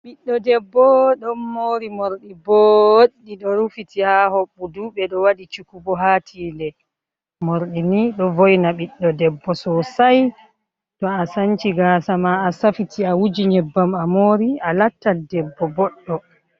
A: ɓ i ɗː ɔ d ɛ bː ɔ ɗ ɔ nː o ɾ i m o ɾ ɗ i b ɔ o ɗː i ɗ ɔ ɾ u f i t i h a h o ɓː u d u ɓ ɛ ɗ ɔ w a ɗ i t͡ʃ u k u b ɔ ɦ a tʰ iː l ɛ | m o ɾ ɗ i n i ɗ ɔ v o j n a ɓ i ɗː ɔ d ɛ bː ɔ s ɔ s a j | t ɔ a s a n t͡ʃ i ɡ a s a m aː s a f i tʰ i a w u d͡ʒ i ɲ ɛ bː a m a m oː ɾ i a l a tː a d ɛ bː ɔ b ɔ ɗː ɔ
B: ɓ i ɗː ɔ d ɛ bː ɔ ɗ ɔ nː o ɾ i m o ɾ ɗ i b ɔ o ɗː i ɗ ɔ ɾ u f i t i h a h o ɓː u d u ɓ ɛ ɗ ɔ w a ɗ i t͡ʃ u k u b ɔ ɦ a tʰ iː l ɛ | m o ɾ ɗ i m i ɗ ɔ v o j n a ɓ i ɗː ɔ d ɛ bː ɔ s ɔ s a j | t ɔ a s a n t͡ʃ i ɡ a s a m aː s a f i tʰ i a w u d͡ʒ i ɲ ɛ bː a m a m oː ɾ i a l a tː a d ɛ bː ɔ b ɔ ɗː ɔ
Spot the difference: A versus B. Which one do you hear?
A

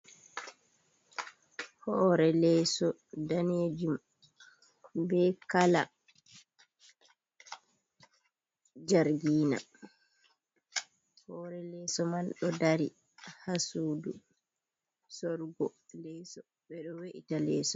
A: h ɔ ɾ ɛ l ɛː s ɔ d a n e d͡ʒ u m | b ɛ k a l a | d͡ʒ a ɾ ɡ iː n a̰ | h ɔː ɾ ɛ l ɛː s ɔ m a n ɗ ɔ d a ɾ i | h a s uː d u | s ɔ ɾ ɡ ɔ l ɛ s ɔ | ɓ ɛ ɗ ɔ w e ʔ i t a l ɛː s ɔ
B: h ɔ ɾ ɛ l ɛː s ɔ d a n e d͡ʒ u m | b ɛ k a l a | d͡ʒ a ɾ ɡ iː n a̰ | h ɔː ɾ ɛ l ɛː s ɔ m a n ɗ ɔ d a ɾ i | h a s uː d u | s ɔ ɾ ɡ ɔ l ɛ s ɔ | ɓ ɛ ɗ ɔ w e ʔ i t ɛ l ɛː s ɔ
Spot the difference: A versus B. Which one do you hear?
A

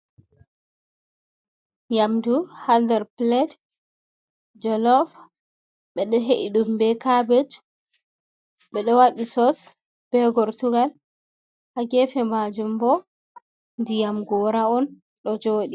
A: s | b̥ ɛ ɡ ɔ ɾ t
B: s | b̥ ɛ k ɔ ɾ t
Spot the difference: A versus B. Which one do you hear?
A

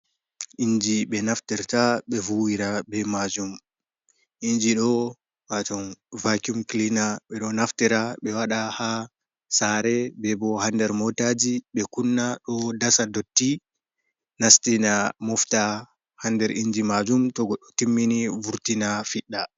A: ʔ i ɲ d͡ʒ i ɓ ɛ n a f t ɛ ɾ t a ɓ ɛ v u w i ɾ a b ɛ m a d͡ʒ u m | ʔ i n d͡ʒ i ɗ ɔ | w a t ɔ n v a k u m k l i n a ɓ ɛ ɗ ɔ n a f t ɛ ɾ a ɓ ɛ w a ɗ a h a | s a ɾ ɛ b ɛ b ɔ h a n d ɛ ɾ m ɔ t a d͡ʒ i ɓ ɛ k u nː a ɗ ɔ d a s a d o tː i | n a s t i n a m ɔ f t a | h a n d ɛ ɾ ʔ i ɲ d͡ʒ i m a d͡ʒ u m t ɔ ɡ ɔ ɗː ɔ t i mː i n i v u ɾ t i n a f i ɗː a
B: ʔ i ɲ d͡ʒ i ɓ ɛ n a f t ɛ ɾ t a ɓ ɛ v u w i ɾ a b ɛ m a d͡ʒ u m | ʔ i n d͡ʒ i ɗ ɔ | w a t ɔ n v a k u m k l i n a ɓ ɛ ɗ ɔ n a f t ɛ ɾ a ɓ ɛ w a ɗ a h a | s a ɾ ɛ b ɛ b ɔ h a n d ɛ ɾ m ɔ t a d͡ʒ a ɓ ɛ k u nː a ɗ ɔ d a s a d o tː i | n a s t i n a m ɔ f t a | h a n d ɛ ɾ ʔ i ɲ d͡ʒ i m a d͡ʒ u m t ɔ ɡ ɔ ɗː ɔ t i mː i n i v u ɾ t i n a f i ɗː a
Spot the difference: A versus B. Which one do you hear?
A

